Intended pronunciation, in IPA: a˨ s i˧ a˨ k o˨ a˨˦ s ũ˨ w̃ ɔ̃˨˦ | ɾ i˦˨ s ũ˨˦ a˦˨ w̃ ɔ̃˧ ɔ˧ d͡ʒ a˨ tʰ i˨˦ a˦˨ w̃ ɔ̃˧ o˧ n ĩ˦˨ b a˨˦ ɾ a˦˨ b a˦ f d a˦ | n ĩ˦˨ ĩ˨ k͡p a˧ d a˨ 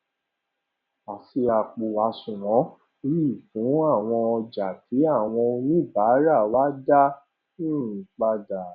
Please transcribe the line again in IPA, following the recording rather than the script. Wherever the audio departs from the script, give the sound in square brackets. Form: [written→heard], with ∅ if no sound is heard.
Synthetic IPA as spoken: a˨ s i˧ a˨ [k→k͡p] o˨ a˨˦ s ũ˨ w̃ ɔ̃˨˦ | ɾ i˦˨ [s→f] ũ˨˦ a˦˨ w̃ ɔ̃˧ ɔ˧ d͡ʒ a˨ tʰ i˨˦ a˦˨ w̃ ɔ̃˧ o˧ n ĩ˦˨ b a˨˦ ɾ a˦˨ [b→w] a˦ [f→∅] d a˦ | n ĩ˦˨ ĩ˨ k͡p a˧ d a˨